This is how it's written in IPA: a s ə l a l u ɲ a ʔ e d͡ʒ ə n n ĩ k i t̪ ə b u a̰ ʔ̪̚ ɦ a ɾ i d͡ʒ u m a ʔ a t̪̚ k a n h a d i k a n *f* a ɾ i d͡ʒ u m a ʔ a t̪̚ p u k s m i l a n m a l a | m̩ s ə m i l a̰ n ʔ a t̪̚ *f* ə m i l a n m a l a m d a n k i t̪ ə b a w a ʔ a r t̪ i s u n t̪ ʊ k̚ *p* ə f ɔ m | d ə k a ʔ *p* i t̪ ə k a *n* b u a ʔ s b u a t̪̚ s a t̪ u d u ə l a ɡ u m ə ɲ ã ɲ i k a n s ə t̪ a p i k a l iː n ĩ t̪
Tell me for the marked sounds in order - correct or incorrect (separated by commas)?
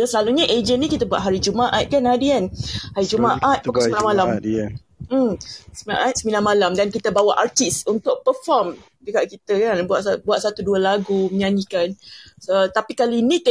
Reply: incorrect, incorrect, correct, incorrect, correct